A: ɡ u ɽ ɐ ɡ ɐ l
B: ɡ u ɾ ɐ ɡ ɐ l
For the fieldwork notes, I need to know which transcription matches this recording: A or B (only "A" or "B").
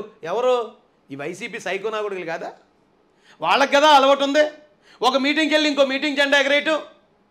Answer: A